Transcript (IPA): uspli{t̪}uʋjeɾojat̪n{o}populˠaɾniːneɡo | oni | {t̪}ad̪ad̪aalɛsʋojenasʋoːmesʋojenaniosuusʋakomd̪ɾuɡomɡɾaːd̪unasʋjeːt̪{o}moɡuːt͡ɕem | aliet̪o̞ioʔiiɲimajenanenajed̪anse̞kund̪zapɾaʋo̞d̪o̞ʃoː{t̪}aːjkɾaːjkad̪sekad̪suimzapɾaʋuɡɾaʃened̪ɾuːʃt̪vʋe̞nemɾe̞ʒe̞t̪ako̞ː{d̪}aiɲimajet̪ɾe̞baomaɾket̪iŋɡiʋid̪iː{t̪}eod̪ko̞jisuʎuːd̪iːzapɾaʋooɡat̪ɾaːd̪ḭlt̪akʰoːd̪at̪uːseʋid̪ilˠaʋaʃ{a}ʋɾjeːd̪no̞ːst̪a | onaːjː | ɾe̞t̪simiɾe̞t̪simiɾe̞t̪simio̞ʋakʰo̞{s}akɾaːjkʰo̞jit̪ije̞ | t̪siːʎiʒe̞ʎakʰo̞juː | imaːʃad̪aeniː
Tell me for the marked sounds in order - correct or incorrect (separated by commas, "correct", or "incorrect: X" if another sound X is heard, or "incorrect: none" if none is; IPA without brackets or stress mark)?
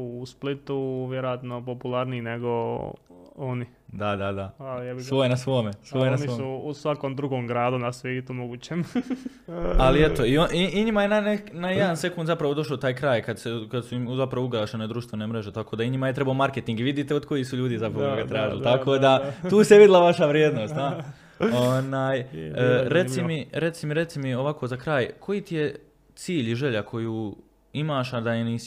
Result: correct, correct, incorrect: d̪, incorrect: u, correct, correct, correct, correct, incorrect: z